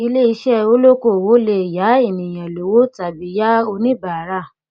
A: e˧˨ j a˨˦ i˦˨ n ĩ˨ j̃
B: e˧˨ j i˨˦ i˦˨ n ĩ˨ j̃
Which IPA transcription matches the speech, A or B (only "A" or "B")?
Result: A